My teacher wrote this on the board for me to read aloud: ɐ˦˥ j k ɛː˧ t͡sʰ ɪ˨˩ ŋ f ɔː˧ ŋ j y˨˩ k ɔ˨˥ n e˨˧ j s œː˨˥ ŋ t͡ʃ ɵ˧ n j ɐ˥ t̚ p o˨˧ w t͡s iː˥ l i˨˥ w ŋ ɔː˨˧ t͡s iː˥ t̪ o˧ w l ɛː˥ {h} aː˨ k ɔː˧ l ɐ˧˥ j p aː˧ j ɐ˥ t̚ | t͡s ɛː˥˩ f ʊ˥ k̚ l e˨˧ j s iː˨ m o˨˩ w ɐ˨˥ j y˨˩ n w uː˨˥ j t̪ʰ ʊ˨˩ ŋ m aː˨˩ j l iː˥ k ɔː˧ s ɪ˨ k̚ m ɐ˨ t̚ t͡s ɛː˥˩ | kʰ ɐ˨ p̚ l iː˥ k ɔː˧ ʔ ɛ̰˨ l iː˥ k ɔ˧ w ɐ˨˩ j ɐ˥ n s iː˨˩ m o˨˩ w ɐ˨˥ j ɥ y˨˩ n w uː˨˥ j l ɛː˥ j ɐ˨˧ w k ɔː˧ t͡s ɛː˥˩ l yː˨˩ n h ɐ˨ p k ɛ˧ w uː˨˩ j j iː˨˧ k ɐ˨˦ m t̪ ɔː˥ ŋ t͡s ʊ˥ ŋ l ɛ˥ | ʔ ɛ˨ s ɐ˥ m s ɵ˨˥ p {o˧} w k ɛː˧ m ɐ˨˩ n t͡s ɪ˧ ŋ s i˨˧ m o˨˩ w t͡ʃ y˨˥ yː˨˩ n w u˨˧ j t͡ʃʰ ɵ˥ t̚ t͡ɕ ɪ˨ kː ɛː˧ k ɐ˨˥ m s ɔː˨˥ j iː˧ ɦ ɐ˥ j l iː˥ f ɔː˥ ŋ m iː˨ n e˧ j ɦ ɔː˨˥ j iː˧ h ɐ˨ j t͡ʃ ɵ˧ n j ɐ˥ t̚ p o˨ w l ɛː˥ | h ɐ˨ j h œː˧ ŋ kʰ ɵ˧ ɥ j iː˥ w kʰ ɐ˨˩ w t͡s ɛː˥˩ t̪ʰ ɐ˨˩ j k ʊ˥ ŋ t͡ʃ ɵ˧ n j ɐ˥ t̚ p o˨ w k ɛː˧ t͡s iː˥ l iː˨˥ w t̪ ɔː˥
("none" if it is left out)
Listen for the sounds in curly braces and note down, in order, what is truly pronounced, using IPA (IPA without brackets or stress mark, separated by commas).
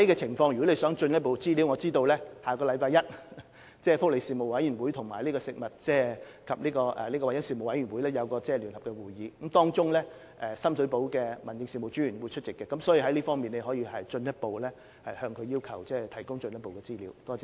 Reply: h, o˨˥